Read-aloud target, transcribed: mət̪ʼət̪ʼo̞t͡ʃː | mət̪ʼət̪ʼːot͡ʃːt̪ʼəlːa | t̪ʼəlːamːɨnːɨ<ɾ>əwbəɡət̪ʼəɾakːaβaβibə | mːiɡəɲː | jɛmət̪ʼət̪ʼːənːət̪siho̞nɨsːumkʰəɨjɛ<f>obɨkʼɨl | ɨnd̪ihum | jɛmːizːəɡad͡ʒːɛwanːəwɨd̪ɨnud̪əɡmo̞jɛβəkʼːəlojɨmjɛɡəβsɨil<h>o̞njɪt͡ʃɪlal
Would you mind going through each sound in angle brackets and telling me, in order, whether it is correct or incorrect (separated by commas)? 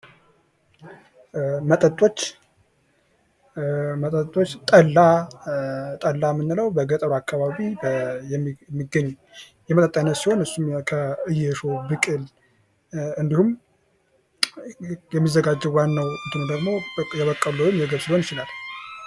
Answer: incorrect, incorrect, correct